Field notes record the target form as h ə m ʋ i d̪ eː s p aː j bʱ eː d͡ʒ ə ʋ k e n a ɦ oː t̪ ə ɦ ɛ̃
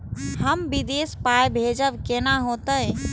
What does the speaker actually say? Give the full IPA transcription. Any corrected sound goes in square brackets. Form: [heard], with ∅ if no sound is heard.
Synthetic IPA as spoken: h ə m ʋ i d̪ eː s p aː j bʱ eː d͡ʒ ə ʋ k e n a ɦ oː t̪ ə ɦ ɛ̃